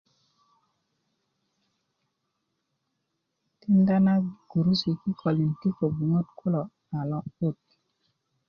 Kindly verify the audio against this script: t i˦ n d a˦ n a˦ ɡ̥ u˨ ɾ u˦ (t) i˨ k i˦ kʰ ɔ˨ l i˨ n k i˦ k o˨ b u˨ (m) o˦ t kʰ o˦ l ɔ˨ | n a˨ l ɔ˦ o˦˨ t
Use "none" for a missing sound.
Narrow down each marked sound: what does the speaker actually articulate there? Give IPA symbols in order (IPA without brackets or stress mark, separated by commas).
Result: s, ŋ